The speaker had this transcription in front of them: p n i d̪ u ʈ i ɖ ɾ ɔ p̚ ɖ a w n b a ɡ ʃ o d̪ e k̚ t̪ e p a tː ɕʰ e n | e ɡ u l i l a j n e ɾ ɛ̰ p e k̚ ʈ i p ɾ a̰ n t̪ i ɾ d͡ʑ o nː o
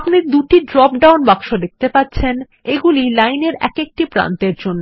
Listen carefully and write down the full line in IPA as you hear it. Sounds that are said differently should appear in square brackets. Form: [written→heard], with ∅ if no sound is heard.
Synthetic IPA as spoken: p n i d̪ u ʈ i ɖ ɾ ɔ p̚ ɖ a w n b a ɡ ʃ o d̪ e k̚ t̪ e p a tː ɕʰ e n | e ɡ u l i l a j n e ɾ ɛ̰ [p→k] e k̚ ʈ i p ɾ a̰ n t̪ [i→e] ɾ d͡ʑ o nː o